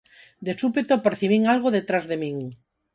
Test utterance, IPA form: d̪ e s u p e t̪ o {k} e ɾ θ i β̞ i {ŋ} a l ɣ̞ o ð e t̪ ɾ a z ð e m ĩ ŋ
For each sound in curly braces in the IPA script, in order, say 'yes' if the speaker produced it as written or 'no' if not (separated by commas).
no, yes